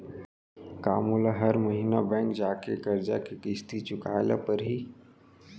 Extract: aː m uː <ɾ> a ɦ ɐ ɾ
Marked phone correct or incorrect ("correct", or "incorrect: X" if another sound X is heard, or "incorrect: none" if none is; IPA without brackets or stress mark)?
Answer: incorrect: l